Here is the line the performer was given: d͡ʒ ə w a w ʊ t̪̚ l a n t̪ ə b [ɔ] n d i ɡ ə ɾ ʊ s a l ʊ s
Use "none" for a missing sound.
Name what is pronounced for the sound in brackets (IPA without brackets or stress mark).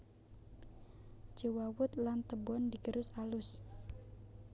ɔ